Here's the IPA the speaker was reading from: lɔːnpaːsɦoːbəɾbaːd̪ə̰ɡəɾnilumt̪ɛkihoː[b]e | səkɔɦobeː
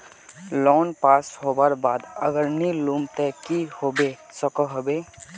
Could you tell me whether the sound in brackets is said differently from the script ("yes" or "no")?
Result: no